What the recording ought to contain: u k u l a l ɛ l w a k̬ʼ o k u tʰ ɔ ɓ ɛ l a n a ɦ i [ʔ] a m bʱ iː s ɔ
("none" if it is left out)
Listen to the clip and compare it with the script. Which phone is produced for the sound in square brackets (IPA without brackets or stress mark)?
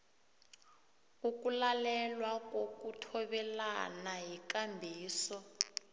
k